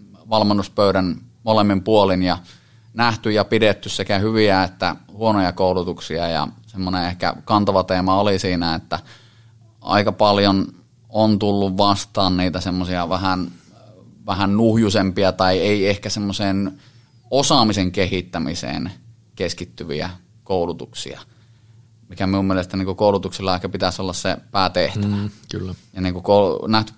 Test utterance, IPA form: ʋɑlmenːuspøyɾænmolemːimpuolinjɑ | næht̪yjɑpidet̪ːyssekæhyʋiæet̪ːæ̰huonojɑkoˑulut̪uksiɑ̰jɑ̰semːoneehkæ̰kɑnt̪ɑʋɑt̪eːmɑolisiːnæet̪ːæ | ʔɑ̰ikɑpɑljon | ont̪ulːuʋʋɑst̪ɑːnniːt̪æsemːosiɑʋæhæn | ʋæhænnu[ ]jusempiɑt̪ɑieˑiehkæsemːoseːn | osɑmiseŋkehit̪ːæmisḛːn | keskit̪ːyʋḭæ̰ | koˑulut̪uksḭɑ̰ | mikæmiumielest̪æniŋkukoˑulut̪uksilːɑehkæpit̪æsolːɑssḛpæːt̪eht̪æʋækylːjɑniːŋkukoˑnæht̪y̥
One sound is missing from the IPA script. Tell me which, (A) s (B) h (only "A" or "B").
B